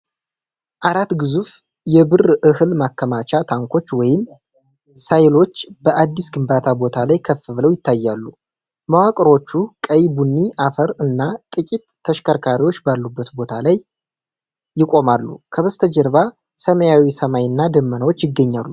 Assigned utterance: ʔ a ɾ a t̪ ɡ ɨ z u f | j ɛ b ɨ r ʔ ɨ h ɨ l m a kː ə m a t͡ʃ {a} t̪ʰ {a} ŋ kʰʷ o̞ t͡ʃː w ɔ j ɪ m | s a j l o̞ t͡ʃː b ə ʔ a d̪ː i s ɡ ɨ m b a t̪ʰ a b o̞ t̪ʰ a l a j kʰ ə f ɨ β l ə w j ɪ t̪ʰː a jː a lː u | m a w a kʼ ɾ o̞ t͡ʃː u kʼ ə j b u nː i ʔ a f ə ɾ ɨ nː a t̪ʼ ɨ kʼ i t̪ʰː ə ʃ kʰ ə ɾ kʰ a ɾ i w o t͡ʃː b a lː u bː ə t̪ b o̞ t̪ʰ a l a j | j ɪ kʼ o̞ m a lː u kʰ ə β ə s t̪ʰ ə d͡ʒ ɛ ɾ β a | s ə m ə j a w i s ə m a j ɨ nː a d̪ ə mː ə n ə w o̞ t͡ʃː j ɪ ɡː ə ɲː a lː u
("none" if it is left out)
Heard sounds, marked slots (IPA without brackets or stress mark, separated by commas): a, a